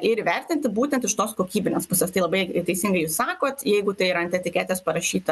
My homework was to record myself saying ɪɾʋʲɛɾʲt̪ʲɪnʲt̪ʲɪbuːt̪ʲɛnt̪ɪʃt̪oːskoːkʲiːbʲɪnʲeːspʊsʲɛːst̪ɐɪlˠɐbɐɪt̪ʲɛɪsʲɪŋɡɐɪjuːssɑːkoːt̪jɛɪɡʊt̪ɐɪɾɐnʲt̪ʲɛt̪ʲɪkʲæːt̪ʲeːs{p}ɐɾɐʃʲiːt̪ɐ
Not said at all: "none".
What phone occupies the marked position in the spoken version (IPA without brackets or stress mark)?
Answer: p